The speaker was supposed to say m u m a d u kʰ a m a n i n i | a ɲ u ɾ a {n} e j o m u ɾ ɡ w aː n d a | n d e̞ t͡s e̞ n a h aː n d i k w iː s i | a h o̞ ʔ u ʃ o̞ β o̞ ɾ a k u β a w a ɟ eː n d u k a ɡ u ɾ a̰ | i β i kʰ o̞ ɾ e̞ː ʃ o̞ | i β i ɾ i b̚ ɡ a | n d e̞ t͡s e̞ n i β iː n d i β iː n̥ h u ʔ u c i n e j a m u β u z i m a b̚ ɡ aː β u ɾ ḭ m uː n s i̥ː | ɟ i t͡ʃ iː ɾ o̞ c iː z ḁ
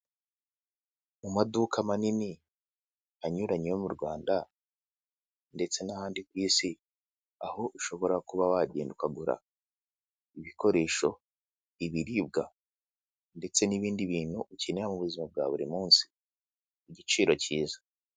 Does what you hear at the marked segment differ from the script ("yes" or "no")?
yes